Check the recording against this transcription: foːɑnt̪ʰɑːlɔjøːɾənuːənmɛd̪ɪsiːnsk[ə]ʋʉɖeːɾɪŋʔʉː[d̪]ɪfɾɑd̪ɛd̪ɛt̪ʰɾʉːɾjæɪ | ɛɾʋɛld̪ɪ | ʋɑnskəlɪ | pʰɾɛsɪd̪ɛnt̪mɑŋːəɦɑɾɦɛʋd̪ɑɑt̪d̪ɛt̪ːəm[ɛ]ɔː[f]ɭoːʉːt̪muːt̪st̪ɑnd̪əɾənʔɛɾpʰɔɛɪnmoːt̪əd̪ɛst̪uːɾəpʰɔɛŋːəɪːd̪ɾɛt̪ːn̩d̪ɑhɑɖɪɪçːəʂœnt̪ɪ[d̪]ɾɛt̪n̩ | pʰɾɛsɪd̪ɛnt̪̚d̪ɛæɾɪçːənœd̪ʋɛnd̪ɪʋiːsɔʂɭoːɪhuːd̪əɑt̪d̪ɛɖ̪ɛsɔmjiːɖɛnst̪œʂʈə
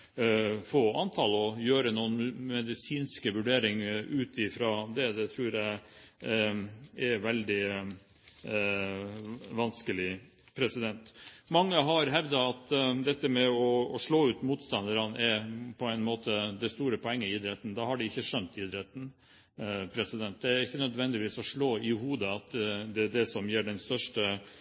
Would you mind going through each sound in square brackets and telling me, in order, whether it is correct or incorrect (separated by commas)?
correct, incorrect, correct, incorrect, correct